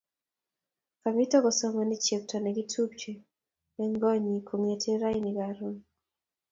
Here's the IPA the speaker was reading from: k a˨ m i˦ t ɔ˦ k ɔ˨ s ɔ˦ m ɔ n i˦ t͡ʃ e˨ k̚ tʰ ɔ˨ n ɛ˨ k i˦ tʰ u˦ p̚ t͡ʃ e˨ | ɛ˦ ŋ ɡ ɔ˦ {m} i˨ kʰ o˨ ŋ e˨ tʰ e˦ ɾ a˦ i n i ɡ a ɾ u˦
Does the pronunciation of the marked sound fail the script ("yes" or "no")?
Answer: yes